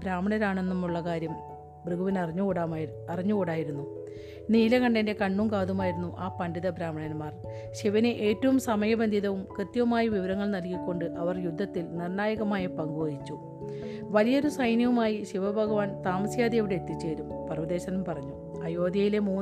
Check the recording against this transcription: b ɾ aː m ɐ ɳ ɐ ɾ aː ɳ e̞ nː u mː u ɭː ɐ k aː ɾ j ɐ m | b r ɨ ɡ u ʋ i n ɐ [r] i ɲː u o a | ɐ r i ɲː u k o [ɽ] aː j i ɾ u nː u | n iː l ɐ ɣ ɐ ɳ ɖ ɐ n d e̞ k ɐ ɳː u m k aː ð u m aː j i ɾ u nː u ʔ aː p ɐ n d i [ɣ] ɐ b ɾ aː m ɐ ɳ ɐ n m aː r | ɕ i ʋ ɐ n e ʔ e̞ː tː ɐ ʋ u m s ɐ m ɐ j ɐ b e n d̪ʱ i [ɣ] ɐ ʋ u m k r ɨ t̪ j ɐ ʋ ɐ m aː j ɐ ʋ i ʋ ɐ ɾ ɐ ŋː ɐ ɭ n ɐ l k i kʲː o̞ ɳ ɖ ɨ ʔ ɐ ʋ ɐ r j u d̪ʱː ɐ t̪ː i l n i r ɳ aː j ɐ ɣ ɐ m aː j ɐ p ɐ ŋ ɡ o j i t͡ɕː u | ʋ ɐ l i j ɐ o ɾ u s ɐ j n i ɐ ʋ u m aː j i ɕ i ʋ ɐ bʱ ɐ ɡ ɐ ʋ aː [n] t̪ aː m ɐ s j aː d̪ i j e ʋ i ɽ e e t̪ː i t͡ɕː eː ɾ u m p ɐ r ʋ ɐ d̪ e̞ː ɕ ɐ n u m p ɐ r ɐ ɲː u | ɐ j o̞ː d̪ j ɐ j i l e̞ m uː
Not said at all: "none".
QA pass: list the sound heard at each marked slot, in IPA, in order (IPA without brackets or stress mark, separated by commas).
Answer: r, ɽ, ð, ð, n